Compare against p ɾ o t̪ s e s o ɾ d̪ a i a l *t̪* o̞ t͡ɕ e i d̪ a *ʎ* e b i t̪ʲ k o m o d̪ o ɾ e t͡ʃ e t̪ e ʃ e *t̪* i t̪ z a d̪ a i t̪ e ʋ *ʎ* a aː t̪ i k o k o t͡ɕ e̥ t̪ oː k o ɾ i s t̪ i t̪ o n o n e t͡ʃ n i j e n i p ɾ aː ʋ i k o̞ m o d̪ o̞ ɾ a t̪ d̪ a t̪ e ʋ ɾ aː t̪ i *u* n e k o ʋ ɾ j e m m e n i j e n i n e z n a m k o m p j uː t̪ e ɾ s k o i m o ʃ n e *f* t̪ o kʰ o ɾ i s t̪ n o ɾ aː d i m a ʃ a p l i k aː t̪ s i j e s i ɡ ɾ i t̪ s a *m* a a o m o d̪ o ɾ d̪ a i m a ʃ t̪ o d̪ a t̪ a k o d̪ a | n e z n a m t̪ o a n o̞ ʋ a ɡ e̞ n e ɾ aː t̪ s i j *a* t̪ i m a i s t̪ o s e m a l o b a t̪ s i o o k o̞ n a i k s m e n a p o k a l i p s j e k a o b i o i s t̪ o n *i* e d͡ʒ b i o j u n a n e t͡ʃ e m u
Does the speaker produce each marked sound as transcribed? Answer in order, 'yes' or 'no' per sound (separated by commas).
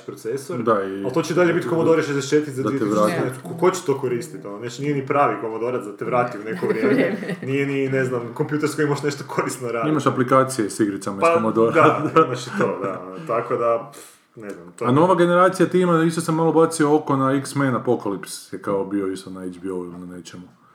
yes, yes, yes, no, yes, no, yes, yes, no